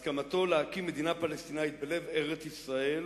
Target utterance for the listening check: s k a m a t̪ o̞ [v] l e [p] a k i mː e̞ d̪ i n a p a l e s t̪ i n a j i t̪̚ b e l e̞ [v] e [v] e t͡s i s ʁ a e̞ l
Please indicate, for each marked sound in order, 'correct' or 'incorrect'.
incorrect: none, incorrect: none, correct, incorrect: ʁ

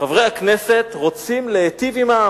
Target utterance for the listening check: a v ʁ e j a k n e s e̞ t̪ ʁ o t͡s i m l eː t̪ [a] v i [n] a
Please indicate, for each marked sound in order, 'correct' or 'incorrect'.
incorrect: i, incorrect: m

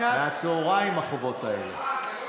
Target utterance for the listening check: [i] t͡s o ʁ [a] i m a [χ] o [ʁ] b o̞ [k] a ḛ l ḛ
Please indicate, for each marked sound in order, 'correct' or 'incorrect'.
incorrect: a, correct, correct, incorrect: none, incorrect: t

